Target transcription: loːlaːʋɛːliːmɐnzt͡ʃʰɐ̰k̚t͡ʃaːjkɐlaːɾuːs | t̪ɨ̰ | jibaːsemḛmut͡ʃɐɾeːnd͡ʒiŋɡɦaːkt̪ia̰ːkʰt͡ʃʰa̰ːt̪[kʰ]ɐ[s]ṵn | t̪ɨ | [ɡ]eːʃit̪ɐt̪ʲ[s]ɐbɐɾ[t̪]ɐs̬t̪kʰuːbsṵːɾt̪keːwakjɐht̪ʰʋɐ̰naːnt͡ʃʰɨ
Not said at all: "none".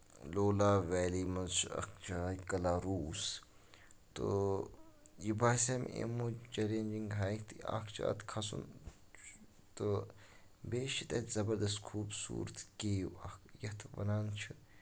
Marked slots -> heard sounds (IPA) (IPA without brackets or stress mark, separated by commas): kʰ, s, b, z, d̪